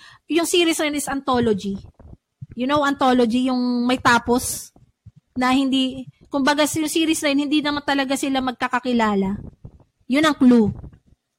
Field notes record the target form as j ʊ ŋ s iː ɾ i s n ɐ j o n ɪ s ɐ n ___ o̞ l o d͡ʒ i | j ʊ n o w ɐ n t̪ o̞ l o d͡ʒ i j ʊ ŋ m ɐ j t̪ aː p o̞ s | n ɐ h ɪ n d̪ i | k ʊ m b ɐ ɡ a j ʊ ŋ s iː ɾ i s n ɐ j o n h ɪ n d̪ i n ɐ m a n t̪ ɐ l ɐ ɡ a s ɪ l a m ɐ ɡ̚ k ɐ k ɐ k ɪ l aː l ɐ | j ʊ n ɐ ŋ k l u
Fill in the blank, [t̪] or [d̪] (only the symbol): t̪